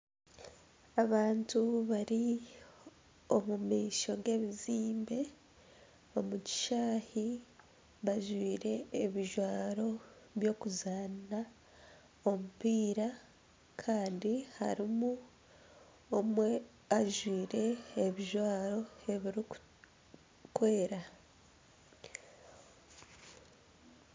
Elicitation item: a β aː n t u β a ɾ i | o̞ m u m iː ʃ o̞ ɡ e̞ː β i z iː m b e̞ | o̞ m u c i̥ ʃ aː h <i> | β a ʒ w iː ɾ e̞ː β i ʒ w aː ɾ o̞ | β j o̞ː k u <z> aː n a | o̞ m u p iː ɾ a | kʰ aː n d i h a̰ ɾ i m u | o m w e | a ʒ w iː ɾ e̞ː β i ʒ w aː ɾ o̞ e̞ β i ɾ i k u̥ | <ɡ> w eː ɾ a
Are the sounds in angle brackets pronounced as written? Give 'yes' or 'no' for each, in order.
yes, yes, no

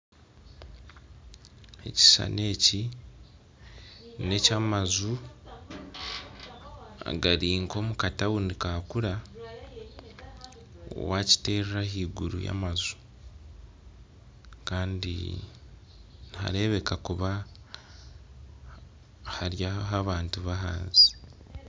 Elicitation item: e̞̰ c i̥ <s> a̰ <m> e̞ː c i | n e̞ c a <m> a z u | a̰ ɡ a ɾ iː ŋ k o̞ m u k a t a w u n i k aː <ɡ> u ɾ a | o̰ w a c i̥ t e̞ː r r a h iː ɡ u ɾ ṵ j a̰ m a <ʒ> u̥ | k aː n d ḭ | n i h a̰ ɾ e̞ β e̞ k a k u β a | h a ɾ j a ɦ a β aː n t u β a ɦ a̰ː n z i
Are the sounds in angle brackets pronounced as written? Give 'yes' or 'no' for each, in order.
yes, no, yes, no, no

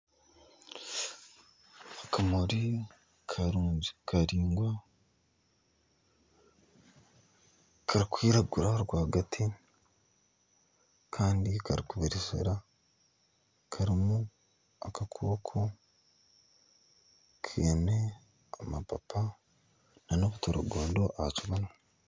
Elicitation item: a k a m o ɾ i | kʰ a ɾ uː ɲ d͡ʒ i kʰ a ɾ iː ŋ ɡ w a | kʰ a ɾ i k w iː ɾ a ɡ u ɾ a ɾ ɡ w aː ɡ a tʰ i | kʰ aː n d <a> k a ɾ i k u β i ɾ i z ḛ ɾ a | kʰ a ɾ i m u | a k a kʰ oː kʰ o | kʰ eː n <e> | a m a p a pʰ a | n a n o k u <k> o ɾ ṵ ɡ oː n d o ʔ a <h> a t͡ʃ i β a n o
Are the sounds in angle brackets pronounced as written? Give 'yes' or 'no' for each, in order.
no, yes, no, yes

